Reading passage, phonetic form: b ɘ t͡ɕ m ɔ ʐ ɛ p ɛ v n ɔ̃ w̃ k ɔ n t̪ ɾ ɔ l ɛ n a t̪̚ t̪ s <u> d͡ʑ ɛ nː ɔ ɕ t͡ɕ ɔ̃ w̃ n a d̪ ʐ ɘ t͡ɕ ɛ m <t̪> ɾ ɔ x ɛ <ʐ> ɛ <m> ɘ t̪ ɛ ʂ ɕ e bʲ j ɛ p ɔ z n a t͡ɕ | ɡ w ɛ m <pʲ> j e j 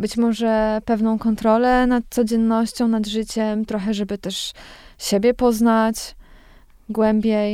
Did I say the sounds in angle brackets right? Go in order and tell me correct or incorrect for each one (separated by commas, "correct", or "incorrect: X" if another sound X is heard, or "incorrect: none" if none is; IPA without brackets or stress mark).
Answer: incorrect: ɔ, correct, correct, incorrect: b, incorrect: bʲ